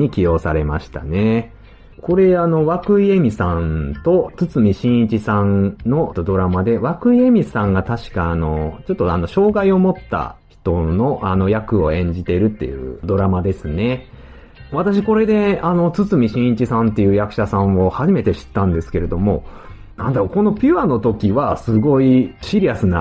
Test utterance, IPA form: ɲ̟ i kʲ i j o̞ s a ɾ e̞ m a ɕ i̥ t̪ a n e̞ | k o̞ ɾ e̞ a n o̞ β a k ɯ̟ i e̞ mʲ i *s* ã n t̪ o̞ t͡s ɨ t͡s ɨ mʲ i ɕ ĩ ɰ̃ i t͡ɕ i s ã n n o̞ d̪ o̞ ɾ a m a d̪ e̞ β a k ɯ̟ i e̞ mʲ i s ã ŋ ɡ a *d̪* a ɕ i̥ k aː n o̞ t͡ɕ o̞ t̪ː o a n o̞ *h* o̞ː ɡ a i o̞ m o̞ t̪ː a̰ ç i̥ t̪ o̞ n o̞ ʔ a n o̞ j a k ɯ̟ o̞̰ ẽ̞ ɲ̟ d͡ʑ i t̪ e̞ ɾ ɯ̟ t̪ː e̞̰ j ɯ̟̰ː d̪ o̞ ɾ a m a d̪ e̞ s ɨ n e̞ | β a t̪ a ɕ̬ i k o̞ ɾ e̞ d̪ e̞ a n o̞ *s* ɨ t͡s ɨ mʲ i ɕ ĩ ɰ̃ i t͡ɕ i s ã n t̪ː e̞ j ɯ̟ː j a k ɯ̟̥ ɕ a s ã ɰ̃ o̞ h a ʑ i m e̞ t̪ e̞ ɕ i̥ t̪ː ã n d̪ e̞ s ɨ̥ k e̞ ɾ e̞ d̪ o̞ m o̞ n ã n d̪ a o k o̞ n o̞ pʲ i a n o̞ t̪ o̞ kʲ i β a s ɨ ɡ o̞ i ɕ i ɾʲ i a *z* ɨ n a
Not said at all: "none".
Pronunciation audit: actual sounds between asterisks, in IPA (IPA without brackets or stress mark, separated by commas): s, t̪, ɕ, t͡s, s